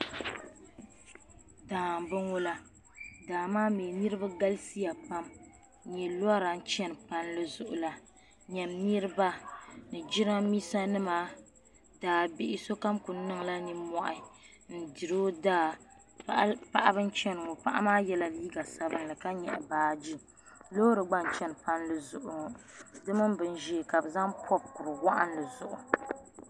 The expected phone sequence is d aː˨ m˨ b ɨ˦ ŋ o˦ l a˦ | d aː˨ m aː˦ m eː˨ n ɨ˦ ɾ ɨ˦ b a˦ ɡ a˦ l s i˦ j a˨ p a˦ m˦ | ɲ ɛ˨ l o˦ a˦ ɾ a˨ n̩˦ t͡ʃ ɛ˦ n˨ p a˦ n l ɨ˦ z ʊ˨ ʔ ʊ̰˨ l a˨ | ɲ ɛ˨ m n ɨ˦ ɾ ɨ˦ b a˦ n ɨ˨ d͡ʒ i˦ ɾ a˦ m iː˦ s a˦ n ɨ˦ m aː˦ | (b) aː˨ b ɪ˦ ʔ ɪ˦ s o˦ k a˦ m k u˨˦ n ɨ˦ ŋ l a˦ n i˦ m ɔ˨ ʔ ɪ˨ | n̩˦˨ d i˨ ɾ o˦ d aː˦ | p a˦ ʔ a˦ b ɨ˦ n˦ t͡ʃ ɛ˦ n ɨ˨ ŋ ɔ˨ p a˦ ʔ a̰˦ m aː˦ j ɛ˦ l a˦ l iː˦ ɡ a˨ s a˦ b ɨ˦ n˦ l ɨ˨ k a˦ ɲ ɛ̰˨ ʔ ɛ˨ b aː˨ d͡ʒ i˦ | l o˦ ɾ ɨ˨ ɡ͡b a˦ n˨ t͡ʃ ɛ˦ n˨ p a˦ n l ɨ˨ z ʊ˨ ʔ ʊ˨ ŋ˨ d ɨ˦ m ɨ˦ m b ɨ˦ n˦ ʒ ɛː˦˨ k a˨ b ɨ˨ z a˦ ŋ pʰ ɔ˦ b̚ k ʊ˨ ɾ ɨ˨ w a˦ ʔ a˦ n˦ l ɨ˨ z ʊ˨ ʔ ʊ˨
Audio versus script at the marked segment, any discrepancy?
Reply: yes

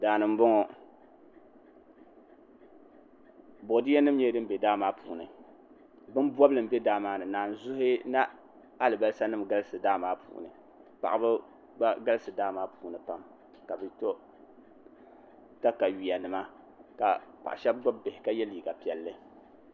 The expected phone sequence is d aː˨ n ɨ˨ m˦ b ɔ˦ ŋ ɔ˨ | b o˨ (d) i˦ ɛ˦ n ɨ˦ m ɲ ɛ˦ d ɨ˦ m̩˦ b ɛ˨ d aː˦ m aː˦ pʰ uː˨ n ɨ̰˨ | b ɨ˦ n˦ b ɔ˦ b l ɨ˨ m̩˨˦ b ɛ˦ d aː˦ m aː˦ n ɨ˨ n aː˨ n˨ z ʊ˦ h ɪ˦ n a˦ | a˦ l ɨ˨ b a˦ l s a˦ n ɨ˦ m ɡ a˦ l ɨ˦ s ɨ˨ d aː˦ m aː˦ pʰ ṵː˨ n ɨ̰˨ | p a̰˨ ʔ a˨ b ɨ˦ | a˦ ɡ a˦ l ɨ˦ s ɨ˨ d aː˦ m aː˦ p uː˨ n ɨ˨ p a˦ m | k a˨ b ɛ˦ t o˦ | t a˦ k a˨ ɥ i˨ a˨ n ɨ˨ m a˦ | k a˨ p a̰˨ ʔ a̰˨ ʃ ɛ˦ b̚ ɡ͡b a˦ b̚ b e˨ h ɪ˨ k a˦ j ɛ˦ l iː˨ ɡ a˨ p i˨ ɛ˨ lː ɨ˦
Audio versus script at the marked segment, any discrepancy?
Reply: no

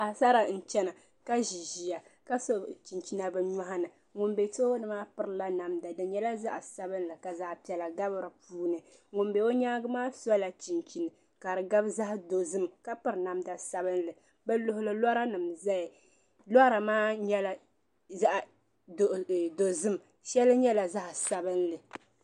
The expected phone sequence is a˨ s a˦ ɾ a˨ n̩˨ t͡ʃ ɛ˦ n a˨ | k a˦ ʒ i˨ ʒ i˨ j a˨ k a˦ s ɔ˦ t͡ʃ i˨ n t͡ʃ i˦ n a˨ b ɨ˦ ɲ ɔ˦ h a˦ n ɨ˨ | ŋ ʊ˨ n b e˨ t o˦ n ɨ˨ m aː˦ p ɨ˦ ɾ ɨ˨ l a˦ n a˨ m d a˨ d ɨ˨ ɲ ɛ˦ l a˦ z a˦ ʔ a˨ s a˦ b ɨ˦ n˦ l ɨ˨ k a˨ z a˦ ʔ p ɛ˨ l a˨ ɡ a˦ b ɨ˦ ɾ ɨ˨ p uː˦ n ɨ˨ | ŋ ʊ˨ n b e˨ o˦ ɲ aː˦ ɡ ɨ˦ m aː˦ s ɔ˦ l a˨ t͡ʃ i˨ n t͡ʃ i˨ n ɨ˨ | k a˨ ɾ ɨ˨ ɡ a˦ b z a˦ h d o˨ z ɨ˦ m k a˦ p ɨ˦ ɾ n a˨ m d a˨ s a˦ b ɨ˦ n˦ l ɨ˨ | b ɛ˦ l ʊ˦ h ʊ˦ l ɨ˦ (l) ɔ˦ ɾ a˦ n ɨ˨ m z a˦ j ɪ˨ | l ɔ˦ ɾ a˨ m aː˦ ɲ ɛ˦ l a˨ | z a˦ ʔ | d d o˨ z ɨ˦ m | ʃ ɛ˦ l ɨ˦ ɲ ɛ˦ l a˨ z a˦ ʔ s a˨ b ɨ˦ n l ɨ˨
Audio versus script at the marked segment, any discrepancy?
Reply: no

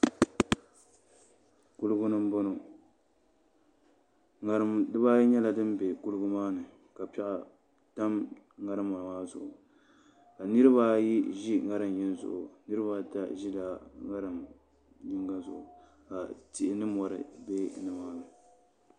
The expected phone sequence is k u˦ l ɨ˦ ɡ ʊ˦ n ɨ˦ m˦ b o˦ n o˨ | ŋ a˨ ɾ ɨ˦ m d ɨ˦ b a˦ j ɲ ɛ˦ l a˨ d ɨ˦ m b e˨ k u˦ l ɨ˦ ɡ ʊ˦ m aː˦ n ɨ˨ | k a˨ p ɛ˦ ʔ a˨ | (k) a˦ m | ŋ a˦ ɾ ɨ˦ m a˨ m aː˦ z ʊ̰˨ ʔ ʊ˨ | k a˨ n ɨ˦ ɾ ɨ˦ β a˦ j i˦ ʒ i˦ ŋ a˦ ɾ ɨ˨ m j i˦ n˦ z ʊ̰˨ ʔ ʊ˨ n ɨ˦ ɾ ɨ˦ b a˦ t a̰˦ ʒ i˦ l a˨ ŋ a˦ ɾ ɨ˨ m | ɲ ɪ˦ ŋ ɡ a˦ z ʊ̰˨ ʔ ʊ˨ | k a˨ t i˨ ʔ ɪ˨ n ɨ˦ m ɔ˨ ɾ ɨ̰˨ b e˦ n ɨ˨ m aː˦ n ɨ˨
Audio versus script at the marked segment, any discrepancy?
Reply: yes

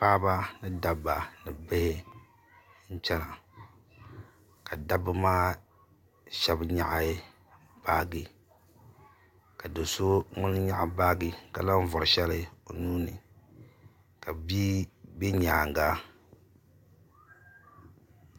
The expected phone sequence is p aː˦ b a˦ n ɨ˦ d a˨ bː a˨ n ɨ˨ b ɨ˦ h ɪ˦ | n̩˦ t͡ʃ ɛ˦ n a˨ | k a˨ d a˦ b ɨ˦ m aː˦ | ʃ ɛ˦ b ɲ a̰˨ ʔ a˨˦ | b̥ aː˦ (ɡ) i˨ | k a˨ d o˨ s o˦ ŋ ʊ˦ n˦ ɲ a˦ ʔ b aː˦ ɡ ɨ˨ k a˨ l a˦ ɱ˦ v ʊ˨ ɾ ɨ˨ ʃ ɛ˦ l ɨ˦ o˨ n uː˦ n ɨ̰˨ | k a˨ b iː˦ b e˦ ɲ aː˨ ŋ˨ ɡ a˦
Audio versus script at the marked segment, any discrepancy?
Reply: no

